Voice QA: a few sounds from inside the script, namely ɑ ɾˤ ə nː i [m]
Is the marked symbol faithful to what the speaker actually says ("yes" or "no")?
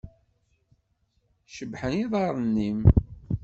yes